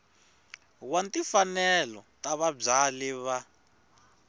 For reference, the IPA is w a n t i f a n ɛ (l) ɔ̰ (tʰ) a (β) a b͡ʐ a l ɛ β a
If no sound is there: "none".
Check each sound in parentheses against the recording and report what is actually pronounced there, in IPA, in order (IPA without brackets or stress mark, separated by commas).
l, t, β